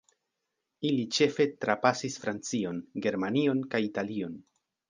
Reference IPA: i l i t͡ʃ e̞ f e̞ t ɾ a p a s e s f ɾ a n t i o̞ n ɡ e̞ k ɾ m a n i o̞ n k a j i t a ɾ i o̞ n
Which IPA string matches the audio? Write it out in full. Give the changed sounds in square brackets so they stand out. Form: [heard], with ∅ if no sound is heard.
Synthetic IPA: i l i t͡ʃ e̞ f e̞ t ɾ a p a s [i] s f ɾ a n [t͡s] i o̞ n ɡ e̞ [∅] ɾ m a n i o̞ n k a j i t a [l] i o̞ n